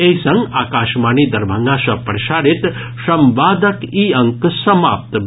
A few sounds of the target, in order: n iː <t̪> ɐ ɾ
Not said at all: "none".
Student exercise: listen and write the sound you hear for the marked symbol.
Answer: d̪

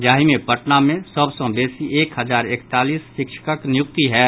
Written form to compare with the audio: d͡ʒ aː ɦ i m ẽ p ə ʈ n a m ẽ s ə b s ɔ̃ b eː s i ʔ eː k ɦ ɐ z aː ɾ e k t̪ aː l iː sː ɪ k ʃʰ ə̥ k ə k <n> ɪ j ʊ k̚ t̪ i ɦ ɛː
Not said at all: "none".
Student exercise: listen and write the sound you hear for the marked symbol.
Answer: n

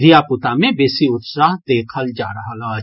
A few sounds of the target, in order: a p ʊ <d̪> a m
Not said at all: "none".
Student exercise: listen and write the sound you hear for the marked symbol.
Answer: t̪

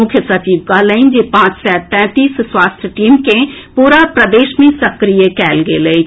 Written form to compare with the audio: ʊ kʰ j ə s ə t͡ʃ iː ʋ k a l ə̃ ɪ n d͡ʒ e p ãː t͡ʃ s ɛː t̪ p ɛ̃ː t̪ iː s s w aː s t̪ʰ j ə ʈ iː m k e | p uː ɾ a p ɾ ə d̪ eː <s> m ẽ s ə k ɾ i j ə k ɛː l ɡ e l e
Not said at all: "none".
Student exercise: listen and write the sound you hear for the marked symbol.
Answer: ʃ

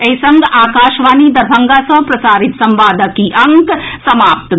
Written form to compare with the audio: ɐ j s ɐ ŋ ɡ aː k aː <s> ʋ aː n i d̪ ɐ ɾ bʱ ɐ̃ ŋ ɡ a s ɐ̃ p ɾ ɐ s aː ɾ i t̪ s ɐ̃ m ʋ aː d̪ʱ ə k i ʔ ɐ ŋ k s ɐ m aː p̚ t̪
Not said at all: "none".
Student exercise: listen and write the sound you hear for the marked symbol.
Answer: ʃ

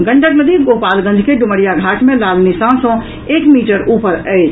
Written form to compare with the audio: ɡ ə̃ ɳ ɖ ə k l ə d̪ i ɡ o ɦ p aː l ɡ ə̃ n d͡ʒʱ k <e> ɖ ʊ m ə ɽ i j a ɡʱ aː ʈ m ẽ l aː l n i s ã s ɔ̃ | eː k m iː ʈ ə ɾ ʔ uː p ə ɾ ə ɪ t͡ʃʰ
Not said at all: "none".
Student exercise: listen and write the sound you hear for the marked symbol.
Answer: e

